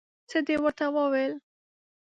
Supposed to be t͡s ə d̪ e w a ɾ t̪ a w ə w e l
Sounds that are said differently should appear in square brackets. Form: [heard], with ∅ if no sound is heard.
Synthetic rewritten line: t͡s ə d̪ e w [ə] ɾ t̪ a w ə w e l